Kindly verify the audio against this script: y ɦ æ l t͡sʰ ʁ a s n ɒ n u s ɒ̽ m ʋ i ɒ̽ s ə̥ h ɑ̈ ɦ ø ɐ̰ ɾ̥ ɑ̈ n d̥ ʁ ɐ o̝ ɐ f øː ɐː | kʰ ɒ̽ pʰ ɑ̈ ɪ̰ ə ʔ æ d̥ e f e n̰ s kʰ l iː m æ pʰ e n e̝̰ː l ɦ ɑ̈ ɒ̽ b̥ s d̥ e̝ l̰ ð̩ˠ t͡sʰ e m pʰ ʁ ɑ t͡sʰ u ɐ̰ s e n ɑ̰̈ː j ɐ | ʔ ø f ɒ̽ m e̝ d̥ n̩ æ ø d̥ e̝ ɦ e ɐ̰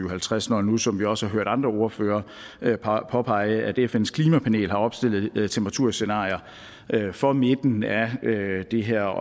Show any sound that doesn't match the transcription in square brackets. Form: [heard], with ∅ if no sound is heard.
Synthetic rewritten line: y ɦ æ l t͡sʰ ʁ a s n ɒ n u s ɒ̽ m ʋ i ɒ̽ s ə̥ h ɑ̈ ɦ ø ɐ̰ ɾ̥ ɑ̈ n d̥ ʁ ɐ o̝ ɐ f øː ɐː | [pʰ] ɒ̽ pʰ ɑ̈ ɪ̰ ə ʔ æ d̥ e f e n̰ s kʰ l iː m æ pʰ [æ] n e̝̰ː l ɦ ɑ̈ ɒ̽ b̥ s d̥ e̝ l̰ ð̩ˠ t͡sʰ e m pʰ ʁ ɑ t͡sʰ u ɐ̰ s e n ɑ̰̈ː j ɐ | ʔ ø f ɒ̽ m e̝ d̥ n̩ æ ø d̥ e̝ ɦ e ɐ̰